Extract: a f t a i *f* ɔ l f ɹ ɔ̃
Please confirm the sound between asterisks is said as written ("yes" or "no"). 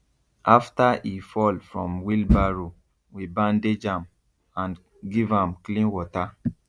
yes